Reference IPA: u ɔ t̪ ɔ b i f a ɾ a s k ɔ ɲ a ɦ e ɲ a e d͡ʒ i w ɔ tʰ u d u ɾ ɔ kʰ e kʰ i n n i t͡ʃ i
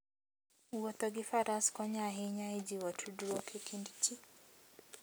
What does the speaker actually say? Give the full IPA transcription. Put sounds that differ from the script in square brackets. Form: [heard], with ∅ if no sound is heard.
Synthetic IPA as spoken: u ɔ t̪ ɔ [ɡ] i f a ɾ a s k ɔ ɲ a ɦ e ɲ a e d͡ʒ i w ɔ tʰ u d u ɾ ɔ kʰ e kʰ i n [d] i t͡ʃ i